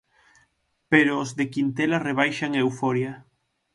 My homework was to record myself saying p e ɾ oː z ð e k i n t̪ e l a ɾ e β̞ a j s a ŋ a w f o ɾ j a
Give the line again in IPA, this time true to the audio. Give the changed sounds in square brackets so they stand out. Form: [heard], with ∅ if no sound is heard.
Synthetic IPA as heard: p e ɾ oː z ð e k i n t̪ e l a [r] e β̞ a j [ʃ] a ŋ [e] w f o ɾ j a